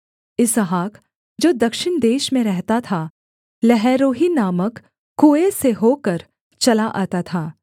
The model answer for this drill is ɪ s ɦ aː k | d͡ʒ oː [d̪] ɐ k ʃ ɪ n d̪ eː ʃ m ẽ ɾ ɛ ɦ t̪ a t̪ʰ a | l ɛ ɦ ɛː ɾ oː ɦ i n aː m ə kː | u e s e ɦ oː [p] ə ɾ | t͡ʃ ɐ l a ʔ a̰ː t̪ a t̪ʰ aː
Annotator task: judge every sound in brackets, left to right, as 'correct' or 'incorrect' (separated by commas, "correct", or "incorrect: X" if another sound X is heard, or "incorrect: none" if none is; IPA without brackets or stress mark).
correct, incorrect: k